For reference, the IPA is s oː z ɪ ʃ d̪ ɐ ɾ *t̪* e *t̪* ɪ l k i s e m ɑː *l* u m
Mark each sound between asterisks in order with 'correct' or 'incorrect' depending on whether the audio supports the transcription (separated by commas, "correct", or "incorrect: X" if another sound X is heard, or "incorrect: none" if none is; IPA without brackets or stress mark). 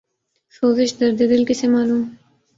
incorrect: d̪, incorrect: d̪, correct